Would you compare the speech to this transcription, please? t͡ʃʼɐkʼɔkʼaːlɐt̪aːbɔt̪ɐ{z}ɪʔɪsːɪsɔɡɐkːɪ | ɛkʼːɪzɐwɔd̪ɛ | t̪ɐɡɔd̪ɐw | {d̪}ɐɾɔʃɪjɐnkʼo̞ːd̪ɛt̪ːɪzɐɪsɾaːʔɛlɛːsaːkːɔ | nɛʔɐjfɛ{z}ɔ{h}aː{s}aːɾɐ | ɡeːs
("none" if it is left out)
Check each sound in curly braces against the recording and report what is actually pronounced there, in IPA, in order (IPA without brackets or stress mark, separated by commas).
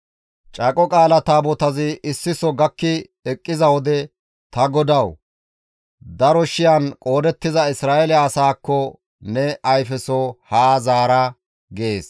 z, d̪, s, h, z